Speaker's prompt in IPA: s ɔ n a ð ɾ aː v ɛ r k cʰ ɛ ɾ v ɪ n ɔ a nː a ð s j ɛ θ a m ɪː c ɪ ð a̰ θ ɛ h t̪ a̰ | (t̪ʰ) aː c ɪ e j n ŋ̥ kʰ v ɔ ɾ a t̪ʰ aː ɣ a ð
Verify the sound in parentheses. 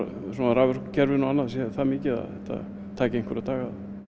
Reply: correct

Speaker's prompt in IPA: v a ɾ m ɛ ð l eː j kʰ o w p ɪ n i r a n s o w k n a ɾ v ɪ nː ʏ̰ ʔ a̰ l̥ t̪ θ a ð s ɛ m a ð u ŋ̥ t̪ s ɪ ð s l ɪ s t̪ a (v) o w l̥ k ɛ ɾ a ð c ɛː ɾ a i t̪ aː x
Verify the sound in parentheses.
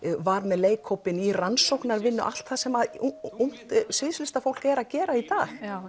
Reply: incorrect: f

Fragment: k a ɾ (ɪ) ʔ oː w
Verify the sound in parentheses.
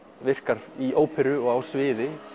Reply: incorrect: i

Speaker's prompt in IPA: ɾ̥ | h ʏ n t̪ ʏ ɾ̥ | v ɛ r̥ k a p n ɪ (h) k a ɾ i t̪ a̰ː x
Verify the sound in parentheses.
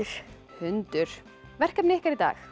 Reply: correct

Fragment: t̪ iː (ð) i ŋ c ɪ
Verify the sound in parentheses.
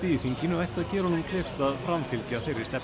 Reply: incorrect: θ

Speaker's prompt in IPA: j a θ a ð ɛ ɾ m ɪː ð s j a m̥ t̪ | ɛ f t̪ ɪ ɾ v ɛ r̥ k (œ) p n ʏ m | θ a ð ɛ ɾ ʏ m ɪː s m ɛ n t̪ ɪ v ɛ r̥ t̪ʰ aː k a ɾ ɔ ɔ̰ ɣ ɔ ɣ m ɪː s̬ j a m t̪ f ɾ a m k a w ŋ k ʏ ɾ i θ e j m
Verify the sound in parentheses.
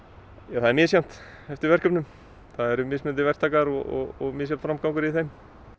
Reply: correct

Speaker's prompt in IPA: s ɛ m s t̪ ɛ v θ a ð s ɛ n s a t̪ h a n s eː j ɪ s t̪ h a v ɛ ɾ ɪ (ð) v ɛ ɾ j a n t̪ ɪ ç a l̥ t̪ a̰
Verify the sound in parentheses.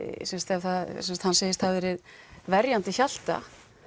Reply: correct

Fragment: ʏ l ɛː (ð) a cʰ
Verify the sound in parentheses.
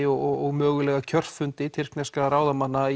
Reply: incorrect: ɣ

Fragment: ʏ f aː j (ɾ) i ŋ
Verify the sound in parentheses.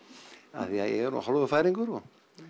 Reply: correct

